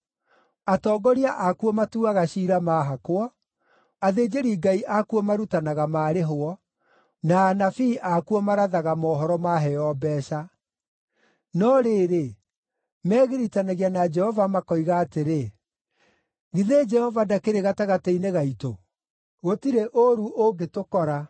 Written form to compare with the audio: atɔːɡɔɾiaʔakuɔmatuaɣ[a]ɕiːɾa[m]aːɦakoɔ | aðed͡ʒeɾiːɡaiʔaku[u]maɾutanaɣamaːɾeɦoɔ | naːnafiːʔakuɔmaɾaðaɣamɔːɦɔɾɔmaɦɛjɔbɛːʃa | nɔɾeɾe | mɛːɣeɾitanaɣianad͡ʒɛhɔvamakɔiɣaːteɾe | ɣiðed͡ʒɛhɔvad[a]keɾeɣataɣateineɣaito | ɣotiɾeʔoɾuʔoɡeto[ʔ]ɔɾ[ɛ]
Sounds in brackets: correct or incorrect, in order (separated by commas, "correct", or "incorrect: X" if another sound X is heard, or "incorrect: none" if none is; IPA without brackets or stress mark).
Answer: correct, correct, incorrect: ɔ, correct, incorrect: k, incorrect: a